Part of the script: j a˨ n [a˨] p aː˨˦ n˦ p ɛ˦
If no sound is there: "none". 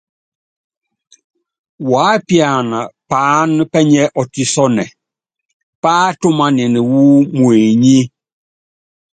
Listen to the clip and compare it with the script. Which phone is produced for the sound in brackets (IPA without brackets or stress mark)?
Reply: a˨